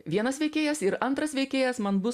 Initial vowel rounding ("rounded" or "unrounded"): unrounded